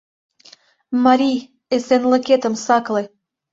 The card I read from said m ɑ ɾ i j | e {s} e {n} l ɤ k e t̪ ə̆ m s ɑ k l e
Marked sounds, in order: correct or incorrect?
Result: correct, correct

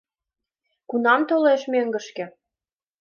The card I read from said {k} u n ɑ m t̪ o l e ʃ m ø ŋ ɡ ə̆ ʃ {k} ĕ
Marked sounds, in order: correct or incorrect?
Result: correct, correct

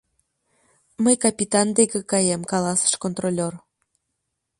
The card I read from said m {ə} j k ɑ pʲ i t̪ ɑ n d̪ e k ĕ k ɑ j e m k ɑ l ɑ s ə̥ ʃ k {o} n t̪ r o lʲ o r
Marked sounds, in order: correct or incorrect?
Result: correct, correct

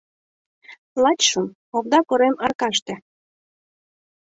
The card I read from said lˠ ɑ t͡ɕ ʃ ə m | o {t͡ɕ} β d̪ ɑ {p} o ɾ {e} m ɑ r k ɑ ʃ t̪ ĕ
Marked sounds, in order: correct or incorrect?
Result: incorrect: none, incorrect: k, correct

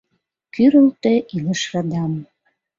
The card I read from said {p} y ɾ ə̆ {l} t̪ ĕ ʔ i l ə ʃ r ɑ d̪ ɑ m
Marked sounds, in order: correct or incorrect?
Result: incorrect: k, correct

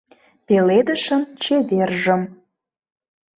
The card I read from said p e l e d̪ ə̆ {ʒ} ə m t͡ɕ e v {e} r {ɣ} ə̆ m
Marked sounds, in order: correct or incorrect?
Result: incorrect: ʃ, correct, incorrect: ʒ

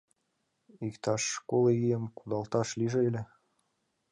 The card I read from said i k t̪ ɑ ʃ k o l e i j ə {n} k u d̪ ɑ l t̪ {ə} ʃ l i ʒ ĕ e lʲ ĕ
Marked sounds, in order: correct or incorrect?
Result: incorrect: m, incorrect: ɑ

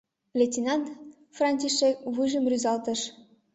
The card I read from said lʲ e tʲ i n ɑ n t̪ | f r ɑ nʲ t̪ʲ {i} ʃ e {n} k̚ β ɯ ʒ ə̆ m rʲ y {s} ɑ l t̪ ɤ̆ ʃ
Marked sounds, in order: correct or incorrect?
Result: correct, incorrect: none, incorrect: z

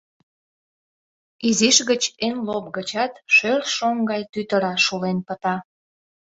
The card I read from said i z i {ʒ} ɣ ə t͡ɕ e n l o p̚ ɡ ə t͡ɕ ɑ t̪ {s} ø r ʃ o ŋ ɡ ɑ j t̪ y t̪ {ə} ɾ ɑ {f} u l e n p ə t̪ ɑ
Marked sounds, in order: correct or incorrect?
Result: incorrect: ʃ, incorrect: ʃ, correct, incorrect: ʃ

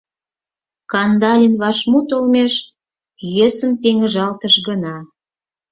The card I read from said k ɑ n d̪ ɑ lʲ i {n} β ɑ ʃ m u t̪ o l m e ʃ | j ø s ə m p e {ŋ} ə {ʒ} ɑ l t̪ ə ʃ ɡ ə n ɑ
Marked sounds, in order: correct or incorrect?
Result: correct, correct, correct

